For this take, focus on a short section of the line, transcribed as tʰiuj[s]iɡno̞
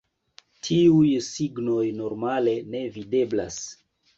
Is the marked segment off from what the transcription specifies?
no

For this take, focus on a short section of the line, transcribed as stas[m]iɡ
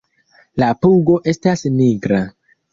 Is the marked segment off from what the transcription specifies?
yes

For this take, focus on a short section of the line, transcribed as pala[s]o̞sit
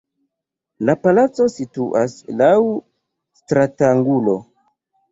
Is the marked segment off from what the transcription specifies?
yes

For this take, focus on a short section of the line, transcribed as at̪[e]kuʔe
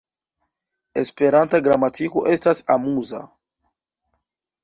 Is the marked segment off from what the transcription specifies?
yes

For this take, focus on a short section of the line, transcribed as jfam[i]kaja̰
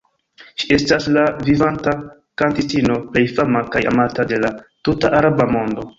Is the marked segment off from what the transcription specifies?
yes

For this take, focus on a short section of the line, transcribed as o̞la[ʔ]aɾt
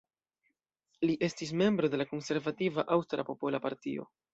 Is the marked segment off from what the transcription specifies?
yes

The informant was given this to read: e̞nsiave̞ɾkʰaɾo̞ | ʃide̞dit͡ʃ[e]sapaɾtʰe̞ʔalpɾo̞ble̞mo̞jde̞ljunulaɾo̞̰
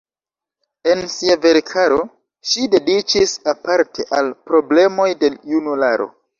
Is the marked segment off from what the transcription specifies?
yes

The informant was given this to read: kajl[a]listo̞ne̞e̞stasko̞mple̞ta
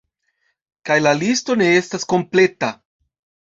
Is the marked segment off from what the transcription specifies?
no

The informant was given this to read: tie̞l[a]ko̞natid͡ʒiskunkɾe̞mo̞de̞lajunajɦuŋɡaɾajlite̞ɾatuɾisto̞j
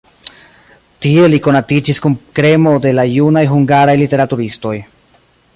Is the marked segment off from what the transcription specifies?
yes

